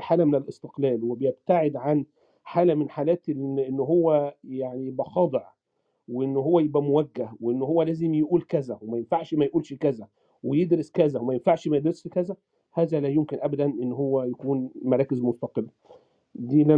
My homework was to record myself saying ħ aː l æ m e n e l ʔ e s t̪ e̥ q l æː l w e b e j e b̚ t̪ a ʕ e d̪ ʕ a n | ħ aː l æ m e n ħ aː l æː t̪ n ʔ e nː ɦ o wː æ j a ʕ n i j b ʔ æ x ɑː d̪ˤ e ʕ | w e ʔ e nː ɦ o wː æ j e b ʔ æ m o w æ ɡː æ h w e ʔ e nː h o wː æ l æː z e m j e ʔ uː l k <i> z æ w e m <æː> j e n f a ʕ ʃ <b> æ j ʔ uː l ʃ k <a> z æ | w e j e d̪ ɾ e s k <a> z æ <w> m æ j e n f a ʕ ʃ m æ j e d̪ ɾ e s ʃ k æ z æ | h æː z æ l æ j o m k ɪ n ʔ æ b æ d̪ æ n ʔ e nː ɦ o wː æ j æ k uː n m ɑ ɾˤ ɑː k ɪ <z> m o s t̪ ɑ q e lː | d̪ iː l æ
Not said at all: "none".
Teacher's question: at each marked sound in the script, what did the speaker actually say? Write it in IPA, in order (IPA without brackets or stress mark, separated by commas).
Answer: æ, æ, m, æ, æ, w, z